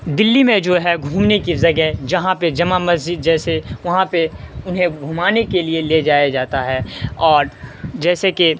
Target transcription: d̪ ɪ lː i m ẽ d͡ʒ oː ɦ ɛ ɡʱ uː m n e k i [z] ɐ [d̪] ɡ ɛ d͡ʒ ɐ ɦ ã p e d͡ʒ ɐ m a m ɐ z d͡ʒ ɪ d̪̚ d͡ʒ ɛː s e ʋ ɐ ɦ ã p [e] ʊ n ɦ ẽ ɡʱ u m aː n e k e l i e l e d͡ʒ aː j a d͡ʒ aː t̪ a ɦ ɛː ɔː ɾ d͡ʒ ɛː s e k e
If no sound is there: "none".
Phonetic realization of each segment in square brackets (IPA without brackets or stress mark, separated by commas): z, none, e